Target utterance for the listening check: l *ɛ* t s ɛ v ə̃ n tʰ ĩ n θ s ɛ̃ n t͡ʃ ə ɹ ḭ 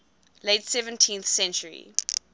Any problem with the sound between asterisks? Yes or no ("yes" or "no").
yes